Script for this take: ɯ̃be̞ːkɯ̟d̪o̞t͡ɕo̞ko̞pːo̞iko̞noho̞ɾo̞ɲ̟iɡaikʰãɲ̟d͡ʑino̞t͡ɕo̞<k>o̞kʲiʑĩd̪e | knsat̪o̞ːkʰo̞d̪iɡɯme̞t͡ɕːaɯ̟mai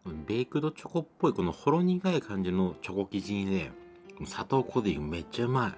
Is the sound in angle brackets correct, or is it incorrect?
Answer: correct